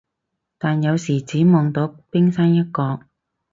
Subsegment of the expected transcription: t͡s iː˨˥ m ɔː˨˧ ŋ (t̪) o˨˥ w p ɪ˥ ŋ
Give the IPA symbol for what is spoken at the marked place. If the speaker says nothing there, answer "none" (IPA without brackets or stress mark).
t̪